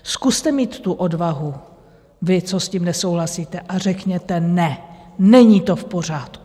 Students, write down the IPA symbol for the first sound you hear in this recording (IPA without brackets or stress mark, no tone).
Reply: s